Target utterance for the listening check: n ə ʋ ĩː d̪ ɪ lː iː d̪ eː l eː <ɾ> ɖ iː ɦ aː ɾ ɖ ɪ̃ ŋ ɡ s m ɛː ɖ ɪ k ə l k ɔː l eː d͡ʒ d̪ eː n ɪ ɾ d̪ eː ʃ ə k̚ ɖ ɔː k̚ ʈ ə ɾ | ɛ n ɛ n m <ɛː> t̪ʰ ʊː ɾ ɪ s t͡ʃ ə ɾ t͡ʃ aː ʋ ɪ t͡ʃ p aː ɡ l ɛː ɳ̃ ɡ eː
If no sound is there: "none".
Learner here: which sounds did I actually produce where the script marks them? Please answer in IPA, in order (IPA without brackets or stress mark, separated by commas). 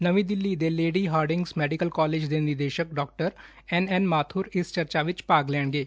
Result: none, aː